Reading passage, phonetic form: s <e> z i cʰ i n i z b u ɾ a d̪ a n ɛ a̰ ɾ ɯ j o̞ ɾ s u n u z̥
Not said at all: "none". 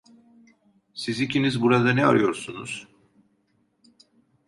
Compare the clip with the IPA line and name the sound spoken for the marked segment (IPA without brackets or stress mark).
i